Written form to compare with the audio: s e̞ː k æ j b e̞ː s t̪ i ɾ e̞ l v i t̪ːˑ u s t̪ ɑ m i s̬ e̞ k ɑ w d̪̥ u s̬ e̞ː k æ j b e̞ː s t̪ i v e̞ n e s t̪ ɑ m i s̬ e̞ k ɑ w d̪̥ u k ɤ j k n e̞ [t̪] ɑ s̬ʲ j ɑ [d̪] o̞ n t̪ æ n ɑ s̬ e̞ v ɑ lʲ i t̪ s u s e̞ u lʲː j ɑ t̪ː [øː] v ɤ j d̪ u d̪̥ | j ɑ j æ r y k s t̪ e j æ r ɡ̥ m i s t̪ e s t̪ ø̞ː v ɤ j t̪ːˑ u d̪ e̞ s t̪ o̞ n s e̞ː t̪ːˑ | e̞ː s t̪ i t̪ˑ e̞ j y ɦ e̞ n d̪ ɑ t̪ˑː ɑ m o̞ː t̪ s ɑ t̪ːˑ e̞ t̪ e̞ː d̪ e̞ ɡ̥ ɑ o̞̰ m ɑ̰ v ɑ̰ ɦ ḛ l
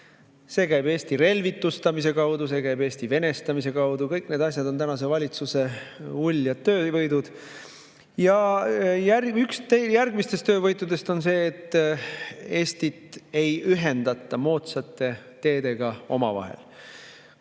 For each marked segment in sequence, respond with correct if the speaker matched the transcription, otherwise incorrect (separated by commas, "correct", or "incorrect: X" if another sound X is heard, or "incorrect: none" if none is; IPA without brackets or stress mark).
incorrect: d̪, correct, correct